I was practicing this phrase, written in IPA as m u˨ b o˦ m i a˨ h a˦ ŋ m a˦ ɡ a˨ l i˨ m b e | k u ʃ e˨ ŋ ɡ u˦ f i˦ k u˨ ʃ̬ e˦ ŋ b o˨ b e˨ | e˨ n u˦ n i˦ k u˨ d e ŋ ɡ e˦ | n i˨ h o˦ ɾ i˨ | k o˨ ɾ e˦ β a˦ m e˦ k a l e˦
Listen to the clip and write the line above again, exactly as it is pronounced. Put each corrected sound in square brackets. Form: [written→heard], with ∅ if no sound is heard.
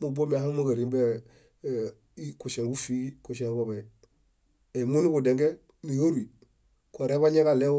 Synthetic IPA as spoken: m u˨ b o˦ m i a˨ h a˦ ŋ m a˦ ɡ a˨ [l→ɾ] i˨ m b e | k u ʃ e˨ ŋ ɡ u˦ f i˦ k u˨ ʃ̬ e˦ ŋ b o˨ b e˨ | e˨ [n→m] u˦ n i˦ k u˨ d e ŋ ɡ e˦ | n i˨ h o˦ ɾ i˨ | k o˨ ɾ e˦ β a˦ [m→ɲ] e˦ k a l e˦